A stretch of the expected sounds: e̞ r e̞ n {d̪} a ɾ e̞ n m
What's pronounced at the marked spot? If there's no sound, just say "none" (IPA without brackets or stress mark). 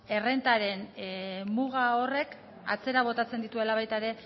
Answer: t̪